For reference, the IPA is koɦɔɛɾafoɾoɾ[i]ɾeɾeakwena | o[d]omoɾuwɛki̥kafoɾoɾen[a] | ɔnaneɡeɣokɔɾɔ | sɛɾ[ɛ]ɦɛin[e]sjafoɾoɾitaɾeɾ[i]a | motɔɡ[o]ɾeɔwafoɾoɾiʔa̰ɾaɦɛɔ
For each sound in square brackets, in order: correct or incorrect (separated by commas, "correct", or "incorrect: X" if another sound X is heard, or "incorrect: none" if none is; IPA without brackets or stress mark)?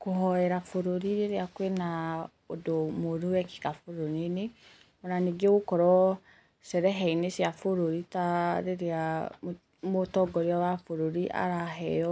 correct, correct, incorrect: e, correct, correct, incorrect: e, incorrect: ɔ